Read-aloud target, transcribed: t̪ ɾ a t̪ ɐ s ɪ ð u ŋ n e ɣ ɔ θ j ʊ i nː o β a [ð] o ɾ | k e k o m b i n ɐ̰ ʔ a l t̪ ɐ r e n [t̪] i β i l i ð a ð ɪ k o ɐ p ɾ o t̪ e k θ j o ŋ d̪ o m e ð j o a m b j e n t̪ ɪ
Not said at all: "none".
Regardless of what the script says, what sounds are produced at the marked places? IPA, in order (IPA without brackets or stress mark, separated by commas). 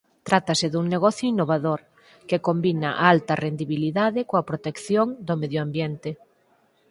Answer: ð, d̪